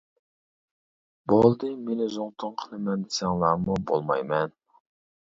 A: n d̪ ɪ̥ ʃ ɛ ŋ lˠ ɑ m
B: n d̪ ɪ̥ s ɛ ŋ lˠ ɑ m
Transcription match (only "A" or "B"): B